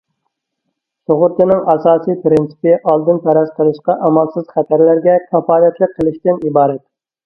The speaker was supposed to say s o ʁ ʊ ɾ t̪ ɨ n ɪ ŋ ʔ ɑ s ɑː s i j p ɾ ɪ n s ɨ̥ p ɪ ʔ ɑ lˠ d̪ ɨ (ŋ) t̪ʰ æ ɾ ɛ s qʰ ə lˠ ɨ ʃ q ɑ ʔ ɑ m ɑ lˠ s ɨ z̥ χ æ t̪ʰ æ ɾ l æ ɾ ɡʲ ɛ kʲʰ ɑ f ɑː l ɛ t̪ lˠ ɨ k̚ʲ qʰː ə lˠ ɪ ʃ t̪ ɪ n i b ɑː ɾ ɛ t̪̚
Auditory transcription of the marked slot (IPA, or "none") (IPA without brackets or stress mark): n